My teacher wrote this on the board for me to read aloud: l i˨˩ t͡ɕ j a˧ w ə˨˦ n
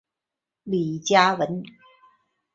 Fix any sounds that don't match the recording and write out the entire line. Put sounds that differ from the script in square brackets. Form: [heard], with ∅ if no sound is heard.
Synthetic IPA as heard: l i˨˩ t͡ɕ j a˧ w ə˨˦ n